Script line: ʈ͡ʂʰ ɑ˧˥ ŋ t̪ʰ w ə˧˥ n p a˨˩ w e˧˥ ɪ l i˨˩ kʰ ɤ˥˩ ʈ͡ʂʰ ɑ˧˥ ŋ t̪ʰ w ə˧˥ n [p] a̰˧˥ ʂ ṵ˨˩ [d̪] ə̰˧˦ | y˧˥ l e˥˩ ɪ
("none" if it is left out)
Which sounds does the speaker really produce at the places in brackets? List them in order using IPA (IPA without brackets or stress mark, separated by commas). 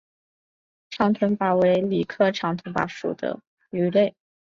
p, d̪